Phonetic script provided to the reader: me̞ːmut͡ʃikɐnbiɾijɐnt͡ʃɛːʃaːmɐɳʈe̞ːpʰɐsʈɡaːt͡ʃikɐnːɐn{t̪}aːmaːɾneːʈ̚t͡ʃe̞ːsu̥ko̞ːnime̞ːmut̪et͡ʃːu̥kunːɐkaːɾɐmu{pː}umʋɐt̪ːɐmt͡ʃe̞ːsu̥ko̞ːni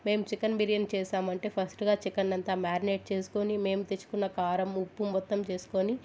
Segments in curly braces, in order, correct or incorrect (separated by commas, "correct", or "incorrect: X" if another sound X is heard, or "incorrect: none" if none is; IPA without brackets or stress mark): correct, correct